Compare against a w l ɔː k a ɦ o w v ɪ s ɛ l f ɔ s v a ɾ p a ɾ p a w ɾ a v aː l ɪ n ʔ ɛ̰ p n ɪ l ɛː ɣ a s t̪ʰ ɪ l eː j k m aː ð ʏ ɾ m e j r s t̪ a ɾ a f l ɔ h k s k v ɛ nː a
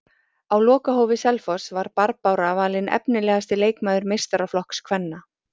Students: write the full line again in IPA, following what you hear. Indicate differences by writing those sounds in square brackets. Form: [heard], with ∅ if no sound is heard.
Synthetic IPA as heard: a w l ɔː k a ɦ o w v ɪ s ɛ l f ɔ s v a ɾ p a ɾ p a w ɾ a v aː l ɪ n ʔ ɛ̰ p n ɪ l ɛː ɣ a s [t̪] ɪ l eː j k m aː ð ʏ ɾ m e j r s t̪ a ɾ a f l ɔ h k s [kʰ] v ɛ nː a